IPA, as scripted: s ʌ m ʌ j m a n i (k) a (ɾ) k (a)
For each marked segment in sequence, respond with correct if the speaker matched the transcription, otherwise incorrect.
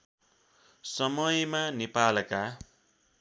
incorrect, incorrect, correct

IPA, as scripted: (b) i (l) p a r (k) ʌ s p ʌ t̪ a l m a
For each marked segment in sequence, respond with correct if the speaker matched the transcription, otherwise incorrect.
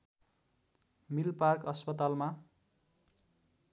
incorrect, correct, correct

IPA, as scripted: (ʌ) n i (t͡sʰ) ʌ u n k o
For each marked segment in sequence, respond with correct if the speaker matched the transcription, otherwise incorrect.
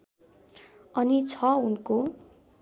correct, correct

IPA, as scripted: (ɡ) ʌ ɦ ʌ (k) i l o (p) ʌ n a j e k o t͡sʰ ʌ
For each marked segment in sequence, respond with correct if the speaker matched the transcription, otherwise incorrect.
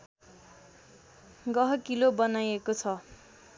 correct, correct, incorrect

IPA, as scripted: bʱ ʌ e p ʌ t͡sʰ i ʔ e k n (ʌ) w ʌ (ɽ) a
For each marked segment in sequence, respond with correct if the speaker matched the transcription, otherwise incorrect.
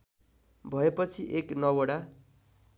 correct, correct

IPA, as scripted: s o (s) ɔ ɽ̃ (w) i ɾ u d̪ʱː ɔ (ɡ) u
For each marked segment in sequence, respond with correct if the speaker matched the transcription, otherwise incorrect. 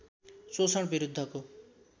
correct, incorrect, incorrect

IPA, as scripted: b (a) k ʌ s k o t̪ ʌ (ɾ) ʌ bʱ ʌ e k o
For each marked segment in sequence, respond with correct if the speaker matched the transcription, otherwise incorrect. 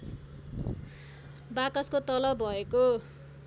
correct, incorrect

